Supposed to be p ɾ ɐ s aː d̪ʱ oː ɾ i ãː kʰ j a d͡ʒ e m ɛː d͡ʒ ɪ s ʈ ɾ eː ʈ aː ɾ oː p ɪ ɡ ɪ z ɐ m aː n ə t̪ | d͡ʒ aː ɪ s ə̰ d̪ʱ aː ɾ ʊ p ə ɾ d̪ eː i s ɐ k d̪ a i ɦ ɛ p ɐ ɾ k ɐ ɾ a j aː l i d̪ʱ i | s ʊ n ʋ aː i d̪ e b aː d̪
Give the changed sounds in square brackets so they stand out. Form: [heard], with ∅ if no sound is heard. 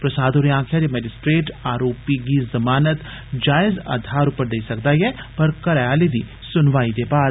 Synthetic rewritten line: p ɾ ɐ s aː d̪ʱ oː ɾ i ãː kʰ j a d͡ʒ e m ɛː d͡ʒ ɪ s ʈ ɾ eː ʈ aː ɾ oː p [i] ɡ [i] z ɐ m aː n ə t̪ | d͡ʒ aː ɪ [z] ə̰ d̪ʱ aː ɾ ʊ p ə ɾ d̪ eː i s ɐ k d̪ a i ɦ ɛ p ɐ ɾ k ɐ ɾ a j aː l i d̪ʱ i | s ʊ n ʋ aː i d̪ e b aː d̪